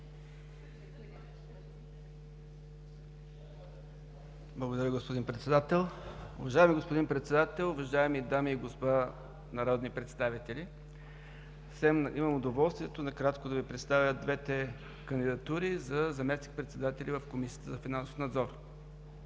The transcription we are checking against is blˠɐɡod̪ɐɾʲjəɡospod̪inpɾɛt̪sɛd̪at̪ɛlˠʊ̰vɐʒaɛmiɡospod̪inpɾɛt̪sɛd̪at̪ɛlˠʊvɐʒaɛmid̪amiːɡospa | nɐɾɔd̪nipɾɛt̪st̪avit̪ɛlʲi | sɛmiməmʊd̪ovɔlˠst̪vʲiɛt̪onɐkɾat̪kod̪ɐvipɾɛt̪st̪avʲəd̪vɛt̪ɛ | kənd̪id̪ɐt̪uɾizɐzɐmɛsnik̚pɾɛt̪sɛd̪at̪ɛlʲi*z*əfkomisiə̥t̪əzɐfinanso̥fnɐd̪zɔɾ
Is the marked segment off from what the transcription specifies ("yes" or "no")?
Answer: yes